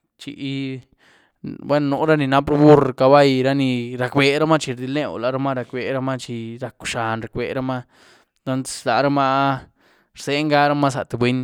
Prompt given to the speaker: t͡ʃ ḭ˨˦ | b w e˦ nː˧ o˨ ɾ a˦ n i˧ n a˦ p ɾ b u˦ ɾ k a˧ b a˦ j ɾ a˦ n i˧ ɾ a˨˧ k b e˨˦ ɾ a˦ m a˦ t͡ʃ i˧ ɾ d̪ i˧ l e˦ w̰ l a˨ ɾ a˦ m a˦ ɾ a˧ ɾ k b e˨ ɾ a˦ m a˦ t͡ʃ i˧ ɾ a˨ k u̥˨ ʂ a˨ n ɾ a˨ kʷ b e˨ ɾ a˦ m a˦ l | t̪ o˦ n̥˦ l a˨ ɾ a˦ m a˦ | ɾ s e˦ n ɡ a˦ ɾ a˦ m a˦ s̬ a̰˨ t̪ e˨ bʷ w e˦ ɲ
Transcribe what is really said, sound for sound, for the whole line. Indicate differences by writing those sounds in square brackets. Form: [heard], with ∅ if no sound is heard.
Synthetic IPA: t͡ʃ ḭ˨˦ | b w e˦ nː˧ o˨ ɾ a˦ n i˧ n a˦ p ɾ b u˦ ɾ k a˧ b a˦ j ɾ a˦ n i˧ ɾ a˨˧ k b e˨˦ ɾ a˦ m a˦ t͡ʃ i˧ ɾ d̪ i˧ l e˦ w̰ l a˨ ɾ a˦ m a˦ ɾ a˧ [∅] k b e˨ ɾ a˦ m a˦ t͡ʃ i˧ ɾ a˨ k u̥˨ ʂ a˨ n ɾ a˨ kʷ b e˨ ɾ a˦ m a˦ [∅] | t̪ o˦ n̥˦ l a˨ ɾ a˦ m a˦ | ɾ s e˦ [ŋ] ɡ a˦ ɾ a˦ m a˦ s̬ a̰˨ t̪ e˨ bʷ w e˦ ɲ